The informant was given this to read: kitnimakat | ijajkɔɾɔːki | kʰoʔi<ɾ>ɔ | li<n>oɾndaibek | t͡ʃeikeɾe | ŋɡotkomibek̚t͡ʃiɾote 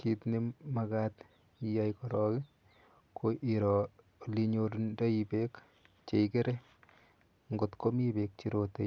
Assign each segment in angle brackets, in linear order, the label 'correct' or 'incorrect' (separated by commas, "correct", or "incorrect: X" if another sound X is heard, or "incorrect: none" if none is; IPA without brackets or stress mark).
correct, incorrect: ɲ